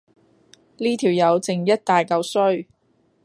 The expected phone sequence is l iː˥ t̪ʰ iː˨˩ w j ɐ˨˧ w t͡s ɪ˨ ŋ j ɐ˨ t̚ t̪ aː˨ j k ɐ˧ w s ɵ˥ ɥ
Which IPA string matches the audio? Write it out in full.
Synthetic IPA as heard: l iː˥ t̪ʰ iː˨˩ w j ɐ˨˧ w t͡s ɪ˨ ŋ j ɐ˥ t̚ t̪ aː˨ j k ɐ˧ w s ɵ˥ ɥ